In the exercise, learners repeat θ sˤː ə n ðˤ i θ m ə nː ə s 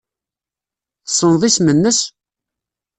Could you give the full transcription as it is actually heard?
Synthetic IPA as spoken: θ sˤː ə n ðˤ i s m ə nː ə s